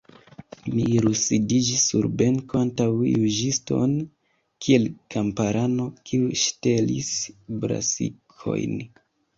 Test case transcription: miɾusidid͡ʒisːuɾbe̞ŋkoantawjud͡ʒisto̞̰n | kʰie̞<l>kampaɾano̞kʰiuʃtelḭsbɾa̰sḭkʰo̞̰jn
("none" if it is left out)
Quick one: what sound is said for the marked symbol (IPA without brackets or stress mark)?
l